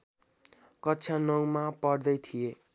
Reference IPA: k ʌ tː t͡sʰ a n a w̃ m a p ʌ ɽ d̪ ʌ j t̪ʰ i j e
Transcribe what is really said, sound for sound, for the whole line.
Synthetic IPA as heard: k ʌ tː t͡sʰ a n ʌ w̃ m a p ʌ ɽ d̪ ʌ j t̪ʰ i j e